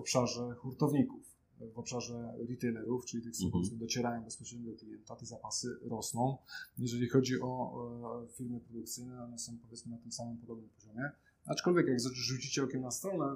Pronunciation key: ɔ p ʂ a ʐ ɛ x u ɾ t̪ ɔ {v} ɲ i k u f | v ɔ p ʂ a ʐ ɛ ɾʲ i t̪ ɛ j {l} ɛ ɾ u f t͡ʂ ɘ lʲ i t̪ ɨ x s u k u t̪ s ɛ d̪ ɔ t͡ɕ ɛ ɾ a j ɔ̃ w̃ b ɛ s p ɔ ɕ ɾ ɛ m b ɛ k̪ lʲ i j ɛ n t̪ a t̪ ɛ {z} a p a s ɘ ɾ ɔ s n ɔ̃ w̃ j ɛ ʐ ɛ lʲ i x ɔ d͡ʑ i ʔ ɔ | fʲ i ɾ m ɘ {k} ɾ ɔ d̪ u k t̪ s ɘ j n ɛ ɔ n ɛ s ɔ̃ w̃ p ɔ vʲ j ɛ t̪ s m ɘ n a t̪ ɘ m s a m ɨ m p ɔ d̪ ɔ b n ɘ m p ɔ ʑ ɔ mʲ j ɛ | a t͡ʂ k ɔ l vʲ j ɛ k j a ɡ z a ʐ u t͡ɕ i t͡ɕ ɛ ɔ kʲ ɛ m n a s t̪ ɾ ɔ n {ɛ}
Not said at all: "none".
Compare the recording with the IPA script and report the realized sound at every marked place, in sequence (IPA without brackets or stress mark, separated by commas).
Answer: v, l, z, p, ɛ